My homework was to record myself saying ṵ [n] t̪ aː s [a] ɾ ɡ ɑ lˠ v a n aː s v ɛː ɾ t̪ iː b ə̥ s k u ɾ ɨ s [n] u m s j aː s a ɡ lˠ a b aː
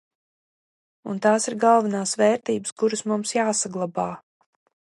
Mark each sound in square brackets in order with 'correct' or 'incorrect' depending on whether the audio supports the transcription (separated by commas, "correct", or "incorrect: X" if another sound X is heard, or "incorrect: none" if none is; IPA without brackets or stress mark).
correct, incorrect: i, incorrect: m